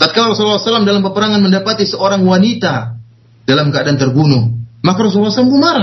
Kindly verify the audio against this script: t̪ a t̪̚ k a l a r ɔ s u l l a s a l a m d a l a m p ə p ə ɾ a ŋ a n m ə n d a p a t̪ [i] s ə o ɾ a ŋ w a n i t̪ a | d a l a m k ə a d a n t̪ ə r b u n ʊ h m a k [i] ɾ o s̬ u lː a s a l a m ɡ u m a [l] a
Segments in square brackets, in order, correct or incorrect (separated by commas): correct, incorrect, incorrect